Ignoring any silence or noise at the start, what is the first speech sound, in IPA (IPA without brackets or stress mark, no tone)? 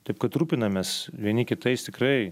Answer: t̪